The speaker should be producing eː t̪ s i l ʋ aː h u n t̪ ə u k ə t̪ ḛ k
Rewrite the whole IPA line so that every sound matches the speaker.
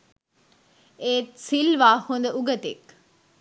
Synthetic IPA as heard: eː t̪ s i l ʋ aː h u n d̪ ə u ɡ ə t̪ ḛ k